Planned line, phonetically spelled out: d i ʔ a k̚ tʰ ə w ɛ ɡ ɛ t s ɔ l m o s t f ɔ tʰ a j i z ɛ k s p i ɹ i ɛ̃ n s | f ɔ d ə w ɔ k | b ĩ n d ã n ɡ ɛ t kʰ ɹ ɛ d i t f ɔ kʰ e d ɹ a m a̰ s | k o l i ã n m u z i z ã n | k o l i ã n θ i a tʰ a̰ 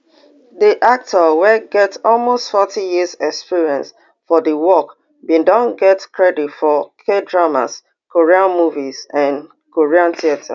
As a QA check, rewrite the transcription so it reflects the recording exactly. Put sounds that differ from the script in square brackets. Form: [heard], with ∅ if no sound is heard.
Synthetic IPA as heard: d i ʔ a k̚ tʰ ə w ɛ ɡ ɛ t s ɔ l m o s t f ɔ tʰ [i] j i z ɛ k s p i ɹ i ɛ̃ n s | f ɔ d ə w ɔ k | b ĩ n d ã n ɡ ɛ t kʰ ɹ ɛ d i t f ɔ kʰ e d ɹ a m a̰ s | k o [ɹ] i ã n m u [v] i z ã n | k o [ɹ] i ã n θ i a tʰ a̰